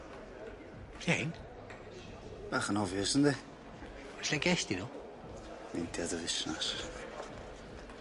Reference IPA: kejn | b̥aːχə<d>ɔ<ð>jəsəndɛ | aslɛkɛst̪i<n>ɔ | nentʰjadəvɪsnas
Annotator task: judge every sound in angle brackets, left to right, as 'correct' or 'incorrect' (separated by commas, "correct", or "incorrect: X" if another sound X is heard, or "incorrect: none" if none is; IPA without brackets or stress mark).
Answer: incorrect: n, incorrect: v, correct